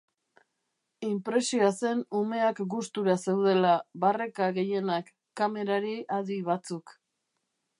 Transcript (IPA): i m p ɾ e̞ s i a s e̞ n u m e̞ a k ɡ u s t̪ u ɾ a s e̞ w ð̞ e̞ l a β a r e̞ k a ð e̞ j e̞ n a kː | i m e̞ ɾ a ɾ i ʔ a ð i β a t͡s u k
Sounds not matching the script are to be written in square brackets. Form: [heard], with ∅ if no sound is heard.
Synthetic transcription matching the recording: i m p ɾ e̞ s i a s e̞ n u m e̞ a k ɡ u s t̪ u ɾ a s e̞ w ð̞ e̞ l a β a r e̞ k a [ɣ] e̞ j e̞ n a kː | [a] m e̞ ɾ a ɾ i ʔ a ð i β a t͡s u k